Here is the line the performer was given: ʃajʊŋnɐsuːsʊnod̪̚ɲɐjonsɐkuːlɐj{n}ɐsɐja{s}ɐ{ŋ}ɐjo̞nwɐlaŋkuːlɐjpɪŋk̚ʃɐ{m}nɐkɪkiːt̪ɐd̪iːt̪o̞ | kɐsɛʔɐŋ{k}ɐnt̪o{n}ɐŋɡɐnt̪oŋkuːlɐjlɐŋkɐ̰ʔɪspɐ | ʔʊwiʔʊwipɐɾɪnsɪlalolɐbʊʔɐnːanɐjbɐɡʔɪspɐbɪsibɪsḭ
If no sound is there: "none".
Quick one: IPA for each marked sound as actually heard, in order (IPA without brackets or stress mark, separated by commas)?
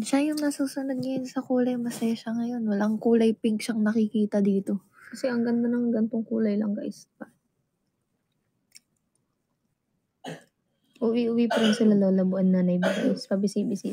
m, ʃ, ŋ, ŋ, ɡ, n